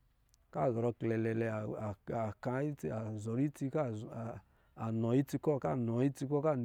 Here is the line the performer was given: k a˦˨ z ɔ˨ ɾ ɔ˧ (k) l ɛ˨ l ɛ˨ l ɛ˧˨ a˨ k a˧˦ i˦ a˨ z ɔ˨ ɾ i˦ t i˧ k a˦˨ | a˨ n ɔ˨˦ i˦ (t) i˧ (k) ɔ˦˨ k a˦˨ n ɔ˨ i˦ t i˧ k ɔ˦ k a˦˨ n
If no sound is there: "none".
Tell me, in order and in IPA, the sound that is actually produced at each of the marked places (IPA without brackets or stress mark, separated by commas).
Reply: k, t, k